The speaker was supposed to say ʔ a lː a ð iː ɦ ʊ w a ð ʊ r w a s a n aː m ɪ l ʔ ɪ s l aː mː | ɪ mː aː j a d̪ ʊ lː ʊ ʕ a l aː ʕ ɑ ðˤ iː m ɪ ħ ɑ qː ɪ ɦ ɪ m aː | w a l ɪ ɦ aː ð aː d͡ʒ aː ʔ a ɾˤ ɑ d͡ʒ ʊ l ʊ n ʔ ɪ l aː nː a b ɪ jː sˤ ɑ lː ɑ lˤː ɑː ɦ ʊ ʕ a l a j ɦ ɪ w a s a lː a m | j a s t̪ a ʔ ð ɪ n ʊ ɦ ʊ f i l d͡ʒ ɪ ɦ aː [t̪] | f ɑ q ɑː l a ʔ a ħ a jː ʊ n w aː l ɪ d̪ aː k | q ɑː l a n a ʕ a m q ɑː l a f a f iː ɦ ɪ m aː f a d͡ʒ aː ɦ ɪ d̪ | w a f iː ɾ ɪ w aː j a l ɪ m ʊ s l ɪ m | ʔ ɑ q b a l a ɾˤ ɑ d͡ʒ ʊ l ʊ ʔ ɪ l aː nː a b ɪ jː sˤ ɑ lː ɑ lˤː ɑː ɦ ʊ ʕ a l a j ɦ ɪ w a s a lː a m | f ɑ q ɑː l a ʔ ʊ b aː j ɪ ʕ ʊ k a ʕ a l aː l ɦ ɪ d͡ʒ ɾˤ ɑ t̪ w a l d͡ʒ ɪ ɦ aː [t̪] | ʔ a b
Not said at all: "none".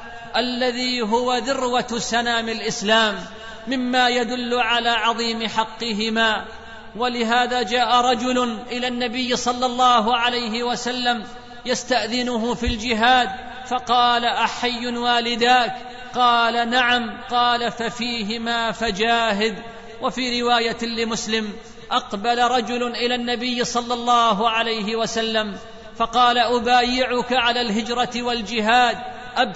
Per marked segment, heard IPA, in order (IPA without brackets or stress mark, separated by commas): d̪, d̪